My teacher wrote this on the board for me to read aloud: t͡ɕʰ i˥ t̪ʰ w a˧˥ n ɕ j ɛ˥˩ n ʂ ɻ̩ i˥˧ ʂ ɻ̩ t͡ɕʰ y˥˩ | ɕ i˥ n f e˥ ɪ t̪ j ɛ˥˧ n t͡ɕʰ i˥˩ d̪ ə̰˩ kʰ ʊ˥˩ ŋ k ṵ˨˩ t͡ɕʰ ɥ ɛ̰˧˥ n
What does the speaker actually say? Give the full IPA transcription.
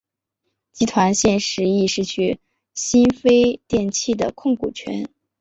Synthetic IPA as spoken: t͡ɕ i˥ t̪ʰ w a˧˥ n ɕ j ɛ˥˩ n ʂ ɻ̩ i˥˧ ʂ ɻ̩ t͡ɕʰ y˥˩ | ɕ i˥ n f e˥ ɪ t̪ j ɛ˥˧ n t͡ɕʰ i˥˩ d̪ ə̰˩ kʰ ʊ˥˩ ŋ k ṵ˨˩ t͡ɕʰ ɥ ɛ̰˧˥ n